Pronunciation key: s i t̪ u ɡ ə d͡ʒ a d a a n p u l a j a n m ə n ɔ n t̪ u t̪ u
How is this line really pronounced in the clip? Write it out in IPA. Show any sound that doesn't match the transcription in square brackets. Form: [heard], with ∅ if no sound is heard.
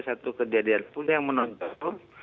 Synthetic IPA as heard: s [a] t̪ u [k] ə d͡ʒ a d [i] a n p u l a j a [ŋ] m ə n ɔ n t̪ [ɔ] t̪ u